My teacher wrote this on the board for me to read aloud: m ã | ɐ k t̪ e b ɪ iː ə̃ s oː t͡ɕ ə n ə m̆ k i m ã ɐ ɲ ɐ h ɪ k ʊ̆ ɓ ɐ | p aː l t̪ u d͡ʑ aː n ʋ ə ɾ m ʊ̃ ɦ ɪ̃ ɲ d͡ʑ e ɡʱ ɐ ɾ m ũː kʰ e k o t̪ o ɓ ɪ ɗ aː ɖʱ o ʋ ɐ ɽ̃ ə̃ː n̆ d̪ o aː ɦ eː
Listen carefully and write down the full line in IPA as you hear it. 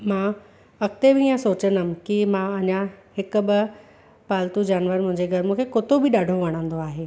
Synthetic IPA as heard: m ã | ɐ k t̪ e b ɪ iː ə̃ s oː t͡ɕ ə n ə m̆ k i m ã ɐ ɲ a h ɪ k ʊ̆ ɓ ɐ | p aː l t̪ u d͡ʑ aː n ʋ ə ɾ m ʊ̃ ɦ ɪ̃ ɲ d͡ʑ e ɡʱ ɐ ɾ m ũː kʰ e k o t̪ o b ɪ ɗ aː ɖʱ o ʋ ɐ ɽ̃ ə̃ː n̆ d̪ o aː ɦ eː